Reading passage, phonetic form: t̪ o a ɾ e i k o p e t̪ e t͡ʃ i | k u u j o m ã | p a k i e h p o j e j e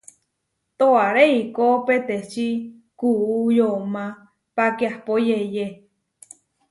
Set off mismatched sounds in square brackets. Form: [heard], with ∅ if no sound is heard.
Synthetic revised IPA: t̪ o a ɾ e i k o p e t̪ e t͡ʃ i | k u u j o m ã | p a k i [a] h p o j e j e